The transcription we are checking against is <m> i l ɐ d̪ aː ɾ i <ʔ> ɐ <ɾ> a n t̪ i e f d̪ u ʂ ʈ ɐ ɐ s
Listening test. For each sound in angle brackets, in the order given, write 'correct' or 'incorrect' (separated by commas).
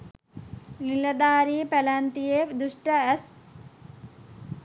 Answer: incorrect, incorrect, incorrect